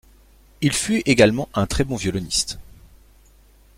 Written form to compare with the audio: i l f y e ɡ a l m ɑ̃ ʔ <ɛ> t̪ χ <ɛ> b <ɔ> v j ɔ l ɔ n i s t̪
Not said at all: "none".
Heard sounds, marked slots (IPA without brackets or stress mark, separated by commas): ɛ̃, ɛ, ɔ̃